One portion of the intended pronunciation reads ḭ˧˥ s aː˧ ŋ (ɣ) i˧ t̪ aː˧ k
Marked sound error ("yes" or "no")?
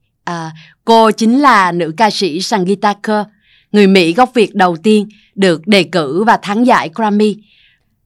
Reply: no